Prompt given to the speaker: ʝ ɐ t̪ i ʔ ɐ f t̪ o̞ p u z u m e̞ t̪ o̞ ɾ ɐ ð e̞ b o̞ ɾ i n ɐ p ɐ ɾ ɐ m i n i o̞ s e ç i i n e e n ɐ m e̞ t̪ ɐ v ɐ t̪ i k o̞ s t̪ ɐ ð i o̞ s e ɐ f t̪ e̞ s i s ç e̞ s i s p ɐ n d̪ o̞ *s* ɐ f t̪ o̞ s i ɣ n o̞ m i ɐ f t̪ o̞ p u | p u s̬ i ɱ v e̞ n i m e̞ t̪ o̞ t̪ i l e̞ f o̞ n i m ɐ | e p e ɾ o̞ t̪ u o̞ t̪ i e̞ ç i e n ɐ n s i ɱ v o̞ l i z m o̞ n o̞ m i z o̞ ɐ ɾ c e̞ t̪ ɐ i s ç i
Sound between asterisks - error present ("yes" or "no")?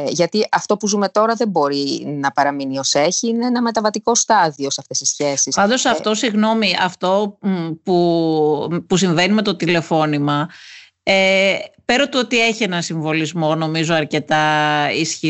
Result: no